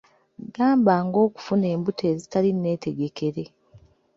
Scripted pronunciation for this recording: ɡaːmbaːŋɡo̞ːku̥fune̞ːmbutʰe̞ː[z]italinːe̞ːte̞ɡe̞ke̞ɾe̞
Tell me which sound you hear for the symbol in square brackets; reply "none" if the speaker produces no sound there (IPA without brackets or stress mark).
z